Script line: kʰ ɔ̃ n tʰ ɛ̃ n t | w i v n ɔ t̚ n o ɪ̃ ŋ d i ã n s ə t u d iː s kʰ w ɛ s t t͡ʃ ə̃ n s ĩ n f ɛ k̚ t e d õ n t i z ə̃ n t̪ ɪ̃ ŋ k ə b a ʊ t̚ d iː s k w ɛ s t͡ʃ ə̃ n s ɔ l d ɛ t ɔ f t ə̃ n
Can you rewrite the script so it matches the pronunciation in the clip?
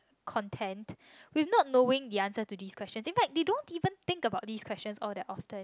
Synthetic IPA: kʰ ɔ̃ n tʰ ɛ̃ n t | w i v n ɔ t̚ n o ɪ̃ ŋ d i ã n s ə t u d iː s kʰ w ɛ s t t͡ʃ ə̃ n s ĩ n f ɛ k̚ d e d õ n t i v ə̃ n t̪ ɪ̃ ŋ k ə b a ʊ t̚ d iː s k w ɛ s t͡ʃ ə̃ n s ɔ l d ɛ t ɔ f t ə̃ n